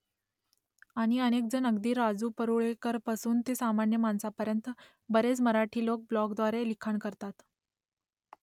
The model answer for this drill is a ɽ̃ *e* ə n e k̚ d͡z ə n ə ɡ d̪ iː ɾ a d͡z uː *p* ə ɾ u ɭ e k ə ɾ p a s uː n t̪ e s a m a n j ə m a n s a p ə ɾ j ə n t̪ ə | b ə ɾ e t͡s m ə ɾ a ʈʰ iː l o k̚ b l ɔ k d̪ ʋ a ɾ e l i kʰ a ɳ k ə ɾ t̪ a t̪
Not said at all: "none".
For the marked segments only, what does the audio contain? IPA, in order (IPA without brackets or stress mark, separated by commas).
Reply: i, p